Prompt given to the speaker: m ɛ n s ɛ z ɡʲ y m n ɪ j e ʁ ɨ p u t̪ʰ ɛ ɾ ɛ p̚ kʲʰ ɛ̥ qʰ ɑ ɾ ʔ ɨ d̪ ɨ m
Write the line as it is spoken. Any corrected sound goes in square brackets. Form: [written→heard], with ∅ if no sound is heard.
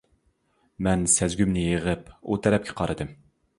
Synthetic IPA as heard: m ɛ n s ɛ z ɡʲ y m n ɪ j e ʁ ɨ p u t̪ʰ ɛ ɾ ɛ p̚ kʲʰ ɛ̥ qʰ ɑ ɾ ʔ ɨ d̪ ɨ m

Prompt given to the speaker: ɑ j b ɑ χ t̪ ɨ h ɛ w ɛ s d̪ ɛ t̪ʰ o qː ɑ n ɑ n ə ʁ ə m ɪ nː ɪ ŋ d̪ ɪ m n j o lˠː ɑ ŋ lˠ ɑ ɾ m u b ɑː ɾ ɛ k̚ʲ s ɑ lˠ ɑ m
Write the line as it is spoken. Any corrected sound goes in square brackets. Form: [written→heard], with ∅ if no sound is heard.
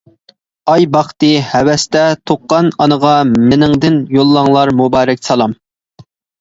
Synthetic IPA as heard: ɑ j b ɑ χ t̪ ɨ h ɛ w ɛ s [d̪→t̪] ɛ t̪ʰ o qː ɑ n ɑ n ə ʁ [ə→ɑ] m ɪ [nː→n] ɪ ŋ d̪ ɪ [m→∅] n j o lˠː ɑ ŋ lˠ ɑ ɾ m u b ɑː ɾ ɛ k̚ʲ s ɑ lˠ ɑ m

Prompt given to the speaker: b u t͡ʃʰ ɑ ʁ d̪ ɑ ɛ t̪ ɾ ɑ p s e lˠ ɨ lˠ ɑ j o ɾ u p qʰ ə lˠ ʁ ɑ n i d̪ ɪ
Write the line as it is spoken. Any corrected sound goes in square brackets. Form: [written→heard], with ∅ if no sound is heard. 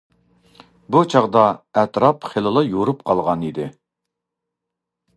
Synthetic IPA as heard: b u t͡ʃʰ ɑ ʁ d̪ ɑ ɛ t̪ ɾ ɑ p [s→χ] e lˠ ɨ lˠ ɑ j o ɾ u p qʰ [ə→ɑ] lˠ ʁ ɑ n i d̪ ɪ

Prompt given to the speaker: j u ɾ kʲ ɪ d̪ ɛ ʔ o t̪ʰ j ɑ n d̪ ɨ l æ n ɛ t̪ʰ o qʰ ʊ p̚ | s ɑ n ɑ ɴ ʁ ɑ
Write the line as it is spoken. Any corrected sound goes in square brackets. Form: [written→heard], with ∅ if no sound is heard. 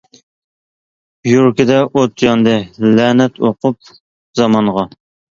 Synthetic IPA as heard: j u ɾ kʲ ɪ d̪ ɛ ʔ o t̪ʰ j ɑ n d̪ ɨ l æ n ɛ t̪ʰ o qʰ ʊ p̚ | [s→z] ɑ [n→m] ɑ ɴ ʁ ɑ

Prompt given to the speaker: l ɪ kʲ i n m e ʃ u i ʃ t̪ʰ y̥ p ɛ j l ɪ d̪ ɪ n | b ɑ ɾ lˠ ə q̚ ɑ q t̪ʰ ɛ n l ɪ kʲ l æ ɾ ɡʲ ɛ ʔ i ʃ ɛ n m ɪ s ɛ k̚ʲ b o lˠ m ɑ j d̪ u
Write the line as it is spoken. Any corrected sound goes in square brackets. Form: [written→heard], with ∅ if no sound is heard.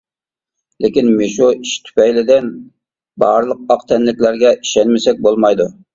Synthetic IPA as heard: l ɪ kʲ i n m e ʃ u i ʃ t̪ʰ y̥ p ɛ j l ɪ d̪ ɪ n | b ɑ ɾ lˠ ə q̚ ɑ q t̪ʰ ɛ n l ɪ kʲ l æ ɾ ɡʲ ɛ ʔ i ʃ ɛ n m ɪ s ɛ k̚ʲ b o lˠ m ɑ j d̪ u

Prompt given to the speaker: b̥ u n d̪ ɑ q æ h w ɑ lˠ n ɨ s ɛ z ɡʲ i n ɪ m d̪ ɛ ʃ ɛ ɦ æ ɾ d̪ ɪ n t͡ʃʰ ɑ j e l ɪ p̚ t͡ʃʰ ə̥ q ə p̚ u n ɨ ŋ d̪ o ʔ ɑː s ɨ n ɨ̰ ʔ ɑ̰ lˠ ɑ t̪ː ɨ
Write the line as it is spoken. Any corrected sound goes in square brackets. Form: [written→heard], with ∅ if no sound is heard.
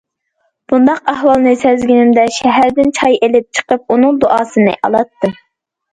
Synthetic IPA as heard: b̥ u n d̪ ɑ q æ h w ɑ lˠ n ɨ s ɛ z ɡʲ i n ɪ m d̪ ɛ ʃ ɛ ɦ æ ɾ d̪ ɪ n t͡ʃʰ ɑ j e l ɪ p̚ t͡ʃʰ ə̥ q ə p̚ u n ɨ ŋ d̪ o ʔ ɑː s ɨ n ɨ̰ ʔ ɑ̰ lˠ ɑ t̪ː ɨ

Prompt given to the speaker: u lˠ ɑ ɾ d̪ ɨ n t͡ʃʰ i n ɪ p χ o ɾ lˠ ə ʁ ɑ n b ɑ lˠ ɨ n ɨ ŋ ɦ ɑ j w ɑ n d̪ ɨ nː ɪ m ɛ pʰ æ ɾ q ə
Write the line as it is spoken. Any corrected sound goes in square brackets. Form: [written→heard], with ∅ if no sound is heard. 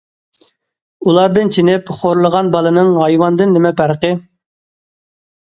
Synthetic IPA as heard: u lˠ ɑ ɾ d̪ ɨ n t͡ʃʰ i n ɪ p χ o ɾ lˠ ə ʁ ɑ n b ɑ lˠ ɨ n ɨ ŋ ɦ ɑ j w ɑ n d̪ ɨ nː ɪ m ɛ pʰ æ ɾ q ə

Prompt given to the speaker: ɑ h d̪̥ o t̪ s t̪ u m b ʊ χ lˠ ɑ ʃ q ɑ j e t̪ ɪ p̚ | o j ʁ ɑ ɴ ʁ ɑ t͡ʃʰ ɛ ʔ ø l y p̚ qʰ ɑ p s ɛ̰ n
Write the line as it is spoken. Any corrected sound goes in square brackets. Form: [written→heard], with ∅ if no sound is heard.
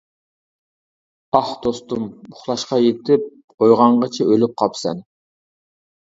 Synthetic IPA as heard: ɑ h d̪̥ o [t̪→∅] s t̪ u m b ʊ χ lˠ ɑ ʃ q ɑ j e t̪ ɪ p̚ | o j ʁ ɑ ɴ ʁ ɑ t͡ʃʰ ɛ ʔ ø l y p̚ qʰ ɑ p s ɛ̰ n

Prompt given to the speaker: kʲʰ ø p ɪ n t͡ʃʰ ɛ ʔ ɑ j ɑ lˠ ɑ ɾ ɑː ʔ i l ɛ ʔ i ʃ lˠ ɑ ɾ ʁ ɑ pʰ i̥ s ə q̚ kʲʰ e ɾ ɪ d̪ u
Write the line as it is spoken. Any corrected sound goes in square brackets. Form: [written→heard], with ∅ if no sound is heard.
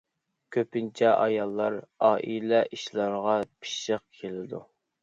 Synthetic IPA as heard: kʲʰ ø p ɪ n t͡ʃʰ ɛ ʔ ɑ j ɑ [lˠ→lˠː] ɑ ɾ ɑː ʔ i l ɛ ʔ i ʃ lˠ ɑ ɾ ʁ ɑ pʰ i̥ [s→ʃ] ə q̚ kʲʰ e [ɾ→l] ɪ d̪ u

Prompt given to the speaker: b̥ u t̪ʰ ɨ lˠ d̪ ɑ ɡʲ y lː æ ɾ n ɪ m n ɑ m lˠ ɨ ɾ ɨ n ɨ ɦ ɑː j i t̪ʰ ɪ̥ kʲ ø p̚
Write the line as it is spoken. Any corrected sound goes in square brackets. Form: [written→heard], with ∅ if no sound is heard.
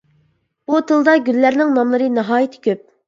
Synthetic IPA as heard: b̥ u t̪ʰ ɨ lˠ d̪ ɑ ɡʲ y lː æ ɾ n ɪ [m→ŋ] n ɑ m lˠ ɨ ɾ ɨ n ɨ ɦ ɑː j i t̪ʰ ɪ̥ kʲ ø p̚

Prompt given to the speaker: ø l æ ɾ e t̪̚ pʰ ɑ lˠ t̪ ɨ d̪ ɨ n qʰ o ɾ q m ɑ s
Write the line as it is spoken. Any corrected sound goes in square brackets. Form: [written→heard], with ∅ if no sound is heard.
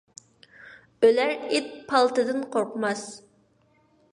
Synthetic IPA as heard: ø l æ ɾ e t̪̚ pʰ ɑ lˠ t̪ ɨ d̪ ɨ n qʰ o ɾ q m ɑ s

